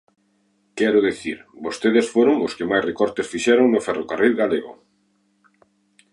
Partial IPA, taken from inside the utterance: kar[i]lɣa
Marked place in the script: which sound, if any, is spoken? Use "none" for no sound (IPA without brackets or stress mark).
i